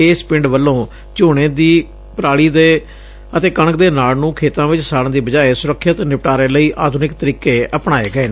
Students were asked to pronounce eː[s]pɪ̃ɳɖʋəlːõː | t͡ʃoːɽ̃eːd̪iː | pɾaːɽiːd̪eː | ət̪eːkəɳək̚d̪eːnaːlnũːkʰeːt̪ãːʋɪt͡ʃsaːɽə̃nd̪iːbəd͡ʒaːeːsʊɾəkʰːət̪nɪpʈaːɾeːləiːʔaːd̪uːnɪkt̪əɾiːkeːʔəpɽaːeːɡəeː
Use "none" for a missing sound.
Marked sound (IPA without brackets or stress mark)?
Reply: s